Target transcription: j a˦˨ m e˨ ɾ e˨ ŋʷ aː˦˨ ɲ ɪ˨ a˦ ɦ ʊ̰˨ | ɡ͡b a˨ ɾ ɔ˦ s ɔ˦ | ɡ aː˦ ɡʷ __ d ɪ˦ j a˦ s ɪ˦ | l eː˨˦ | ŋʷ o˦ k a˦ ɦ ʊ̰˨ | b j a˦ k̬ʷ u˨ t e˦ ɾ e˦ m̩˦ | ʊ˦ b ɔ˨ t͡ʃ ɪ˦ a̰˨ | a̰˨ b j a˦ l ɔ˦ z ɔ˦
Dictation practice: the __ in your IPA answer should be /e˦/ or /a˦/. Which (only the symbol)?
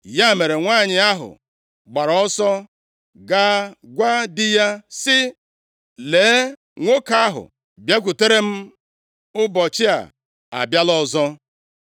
a˦